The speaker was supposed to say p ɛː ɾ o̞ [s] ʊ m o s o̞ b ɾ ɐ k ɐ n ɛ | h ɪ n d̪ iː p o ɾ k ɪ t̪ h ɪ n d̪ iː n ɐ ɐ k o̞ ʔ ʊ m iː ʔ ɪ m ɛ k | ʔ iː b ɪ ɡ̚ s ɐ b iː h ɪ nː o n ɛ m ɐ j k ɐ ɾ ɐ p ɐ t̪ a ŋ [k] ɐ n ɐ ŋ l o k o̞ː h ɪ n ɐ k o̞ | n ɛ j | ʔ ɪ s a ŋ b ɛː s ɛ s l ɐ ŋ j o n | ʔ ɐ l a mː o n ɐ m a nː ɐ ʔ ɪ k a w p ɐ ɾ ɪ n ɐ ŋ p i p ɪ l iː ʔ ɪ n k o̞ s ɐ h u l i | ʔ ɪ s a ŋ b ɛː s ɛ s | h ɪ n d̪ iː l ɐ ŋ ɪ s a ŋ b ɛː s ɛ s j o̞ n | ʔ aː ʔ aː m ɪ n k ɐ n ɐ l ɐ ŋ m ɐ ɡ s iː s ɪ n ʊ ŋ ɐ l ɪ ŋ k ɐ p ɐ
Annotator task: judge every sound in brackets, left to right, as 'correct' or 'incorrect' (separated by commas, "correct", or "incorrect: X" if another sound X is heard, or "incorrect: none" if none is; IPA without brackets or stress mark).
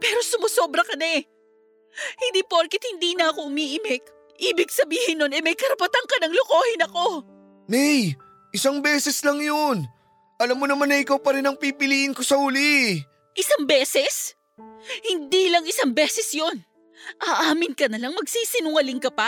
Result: correct, correct